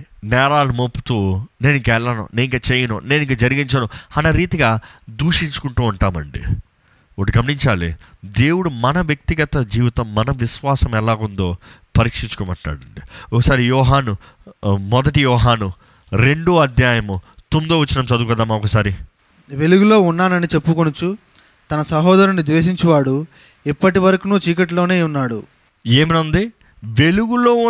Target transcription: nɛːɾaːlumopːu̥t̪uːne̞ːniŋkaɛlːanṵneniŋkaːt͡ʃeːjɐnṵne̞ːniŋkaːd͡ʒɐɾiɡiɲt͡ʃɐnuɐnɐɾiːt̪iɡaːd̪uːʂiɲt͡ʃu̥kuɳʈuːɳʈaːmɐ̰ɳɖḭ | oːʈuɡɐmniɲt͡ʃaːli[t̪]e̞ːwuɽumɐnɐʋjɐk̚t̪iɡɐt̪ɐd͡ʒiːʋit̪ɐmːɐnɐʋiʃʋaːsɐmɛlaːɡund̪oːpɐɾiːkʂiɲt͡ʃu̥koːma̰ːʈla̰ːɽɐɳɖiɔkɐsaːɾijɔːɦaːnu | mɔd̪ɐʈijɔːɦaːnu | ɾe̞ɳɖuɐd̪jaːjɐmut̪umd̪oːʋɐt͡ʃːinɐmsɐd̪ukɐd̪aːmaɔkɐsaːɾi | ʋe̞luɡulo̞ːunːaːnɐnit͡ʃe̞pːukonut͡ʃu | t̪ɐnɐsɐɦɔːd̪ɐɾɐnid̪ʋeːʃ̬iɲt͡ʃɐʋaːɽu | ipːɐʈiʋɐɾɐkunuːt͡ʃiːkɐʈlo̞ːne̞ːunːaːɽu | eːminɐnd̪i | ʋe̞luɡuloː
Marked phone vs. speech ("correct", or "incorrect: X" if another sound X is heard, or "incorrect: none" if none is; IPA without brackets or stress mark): incorrect: d̪